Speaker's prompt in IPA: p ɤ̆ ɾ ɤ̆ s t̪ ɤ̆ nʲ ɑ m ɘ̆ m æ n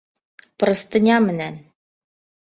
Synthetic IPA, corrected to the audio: p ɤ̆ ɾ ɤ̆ s t̪ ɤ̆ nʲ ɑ m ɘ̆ n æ n